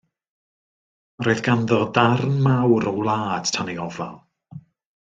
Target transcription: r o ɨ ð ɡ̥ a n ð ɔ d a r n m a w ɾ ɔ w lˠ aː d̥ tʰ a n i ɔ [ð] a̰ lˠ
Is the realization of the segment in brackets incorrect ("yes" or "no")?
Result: yes